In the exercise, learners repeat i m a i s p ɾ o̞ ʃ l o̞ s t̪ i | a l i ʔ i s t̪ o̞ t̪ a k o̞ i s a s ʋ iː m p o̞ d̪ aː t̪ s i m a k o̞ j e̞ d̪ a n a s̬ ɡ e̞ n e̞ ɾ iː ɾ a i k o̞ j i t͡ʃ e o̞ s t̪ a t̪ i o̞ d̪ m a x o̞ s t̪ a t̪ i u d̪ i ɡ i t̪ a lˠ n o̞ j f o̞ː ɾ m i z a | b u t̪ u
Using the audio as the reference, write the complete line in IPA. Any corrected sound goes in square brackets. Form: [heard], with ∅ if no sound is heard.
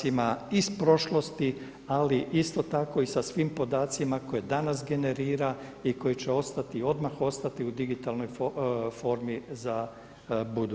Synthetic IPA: i m a i s p ɾ o̞ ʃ l o̞ s t̪ i | a l i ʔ i s t̪ o̞ t̪ a k o̞ i s a s ʋ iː m p o̞ d̪ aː t̪ s i m a k o̞ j e̞ d̪ a n a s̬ ɡ e̞ n e̞ ɾ iː ɾ a i k o̞ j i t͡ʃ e o̞ s t̪ a t̪ i o̞ d̪ m a x o̞ s t̪ a t̪ i u d̪ i ɡ i t̪ a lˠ n o̞ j f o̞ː ɾ m i z a | b u [d̪] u